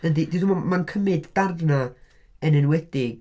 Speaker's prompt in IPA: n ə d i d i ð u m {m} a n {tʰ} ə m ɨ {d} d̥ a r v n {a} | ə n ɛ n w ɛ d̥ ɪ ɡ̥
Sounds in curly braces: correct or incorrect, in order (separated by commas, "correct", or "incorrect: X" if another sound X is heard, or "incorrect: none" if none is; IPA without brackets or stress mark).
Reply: correct, incorrect: kʰ, correct, correct